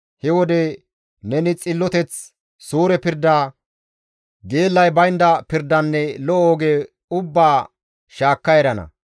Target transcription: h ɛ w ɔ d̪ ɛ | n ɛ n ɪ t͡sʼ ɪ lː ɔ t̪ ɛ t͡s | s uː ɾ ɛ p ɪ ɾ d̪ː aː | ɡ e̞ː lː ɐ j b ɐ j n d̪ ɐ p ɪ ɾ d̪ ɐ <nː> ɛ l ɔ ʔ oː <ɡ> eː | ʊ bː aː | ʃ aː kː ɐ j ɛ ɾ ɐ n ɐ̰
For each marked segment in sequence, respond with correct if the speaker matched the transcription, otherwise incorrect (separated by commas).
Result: correct, correct